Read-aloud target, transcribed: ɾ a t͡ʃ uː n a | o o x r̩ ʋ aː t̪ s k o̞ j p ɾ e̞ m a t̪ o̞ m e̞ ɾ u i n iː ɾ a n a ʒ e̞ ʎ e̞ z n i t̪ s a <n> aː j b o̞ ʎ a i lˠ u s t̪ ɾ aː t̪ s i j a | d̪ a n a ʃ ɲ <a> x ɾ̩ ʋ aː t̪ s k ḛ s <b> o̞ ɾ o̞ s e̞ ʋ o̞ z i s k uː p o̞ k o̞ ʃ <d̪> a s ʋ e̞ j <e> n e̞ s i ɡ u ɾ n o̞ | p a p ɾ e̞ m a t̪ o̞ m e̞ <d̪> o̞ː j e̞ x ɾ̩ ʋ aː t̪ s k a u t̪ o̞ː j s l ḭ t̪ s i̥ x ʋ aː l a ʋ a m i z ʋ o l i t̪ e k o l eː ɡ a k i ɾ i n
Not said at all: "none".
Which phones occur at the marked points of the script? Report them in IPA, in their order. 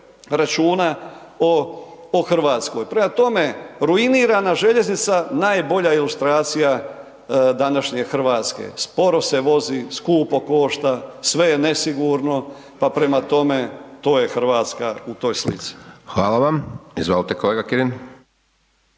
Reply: n, e, p, t̪, e, t̪

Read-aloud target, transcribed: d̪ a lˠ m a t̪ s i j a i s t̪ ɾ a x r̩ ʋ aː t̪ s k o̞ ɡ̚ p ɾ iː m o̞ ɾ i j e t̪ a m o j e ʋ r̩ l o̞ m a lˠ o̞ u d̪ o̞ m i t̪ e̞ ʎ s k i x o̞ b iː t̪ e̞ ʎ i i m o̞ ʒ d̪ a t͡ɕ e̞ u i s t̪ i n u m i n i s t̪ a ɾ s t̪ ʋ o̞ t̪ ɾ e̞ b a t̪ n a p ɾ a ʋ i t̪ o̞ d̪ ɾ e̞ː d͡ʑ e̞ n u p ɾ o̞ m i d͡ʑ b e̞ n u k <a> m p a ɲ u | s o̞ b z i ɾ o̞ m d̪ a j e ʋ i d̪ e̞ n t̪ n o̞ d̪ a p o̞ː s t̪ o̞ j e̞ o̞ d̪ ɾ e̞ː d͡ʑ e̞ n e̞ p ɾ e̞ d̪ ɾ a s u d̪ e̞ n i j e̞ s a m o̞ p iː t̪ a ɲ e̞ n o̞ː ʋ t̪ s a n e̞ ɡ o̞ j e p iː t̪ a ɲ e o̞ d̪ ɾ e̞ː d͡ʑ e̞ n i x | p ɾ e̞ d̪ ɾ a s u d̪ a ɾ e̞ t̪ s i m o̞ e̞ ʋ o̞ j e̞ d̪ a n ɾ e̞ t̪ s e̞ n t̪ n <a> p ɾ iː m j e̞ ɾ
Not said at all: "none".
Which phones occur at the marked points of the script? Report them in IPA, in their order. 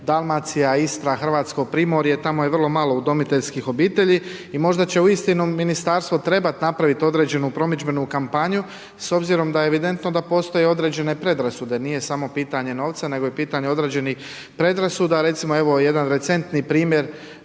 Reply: a, i

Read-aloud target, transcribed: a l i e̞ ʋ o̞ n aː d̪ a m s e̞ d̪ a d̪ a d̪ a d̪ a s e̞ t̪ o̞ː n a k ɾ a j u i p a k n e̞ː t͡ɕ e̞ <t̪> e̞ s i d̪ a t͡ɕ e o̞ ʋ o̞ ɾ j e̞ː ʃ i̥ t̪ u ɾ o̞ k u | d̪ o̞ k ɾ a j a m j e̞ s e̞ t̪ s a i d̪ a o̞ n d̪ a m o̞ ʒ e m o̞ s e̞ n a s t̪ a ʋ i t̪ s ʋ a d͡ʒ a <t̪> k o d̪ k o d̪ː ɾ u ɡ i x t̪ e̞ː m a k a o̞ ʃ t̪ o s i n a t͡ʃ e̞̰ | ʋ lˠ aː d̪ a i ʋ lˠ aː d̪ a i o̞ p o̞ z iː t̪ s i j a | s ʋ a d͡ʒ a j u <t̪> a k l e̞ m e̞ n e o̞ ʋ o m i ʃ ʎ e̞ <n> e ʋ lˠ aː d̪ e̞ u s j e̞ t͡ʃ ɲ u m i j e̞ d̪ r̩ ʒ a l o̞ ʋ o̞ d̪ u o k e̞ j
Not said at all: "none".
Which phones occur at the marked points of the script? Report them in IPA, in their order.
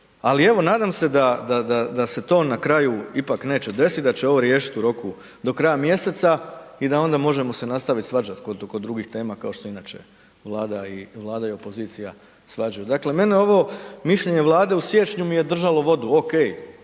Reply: d̪, t̪, d̪, ɲ

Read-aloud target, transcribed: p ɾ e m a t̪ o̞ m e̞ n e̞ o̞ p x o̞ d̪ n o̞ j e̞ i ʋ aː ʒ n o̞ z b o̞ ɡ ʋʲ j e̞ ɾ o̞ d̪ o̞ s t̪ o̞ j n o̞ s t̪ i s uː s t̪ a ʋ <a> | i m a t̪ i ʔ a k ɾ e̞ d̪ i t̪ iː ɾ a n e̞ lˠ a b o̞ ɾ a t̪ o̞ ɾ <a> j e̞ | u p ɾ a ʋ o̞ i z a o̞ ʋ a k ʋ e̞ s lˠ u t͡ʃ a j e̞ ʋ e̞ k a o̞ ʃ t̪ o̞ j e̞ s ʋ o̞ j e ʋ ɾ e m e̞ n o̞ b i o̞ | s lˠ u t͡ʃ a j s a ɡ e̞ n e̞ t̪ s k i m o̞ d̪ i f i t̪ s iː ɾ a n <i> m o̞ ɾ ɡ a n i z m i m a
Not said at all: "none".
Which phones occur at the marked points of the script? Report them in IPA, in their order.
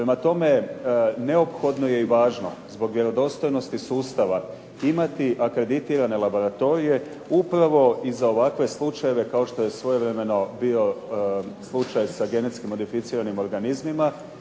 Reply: a, i, i

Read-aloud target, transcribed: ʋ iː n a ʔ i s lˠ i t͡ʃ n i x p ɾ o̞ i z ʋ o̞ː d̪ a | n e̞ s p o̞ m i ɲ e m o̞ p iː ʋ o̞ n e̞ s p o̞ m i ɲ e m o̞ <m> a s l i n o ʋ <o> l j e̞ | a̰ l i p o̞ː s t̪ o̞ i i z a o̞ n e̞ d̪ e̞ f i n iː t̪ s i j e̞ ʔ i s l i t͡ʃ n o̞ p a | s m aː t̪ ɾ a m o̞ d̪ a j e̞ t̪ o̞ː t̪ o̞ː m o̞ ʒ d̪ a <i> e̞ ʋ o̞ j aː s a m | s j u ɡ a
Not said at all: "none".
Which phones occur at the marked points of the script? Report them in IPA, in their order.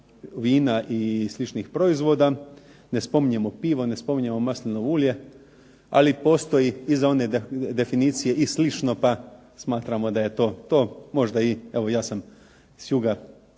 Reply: m, u, i

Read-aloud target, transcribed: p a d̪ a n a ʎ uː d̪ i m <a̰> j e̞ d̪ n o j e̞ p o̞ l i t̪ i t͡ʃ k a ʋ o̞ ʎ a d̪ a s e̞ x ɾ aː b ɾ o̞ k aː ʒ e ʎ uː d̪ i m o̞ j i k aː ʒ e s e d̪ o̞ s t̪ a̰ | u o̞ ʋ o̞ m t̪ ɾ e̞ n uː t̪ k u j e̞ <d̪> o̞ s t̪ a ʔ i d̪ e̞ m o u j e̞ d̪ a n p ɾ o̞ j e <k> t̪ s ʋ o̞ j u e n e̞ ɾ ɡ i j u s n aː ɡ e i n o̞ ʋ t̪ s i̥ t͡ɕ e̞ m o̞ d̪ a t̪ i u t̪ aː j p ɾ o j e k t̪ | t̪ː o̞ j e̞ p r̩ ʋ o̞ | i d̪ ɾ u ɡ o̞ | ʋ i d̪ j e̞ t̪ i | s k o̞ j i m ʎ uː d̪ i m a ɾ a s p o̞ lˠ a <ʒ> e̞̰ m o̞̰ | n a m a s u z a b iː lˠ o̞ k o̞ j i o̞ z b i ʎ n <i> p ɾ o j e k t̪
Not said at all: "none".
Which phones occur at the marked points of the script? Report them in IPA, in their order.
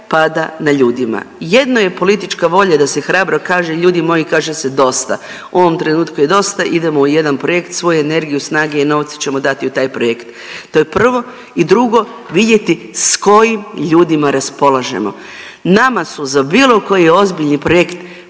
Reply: a̰, d̪, k, ʒ, i

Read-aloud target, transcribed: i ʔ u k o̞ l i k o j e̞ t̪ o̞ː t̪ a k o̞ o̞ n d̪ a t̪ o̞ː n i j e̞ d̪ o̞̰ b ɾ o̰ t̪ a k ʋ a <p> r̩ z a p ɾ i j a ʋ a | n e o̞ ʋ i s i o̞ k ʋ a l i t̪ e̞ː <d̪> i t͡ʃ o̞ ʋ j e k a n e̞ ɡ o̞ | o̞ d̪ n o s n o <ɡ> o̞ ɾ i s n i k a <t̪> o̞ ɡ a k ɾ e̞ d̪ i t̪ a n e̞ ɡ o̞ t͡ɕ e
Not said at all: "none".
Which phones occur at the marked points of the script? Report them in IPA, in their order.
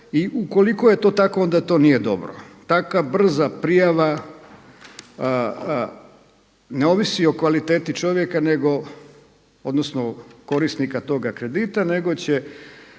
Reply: b, t̪, k, t̪

